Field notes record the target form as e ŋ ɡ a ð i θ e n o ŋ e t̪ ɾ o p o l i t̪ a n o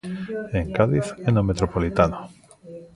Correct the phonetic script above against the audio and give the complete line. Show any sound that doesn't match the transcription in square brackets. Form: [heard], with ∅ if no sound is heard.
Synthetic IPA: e ŋ [k] a ð i θ e n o [m] e t̪ ɾ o p o l i t̪ a n o